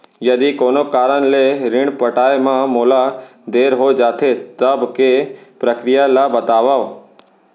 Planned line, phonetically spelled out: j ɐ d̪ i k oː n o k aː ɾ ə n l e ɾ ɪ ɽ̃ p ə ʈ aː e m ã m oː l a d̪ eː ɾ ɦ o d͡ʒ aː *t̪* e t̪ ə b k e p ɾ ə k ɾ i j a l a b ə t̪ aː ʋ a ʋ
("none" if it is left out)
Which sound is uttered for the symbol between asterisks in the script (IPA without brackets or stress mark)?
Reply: t̪ʰ